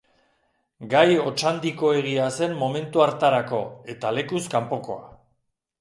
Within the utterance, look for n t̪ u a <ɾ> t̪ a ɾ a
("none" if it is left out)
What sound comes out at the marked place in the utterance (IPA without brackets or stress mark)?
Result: ɾ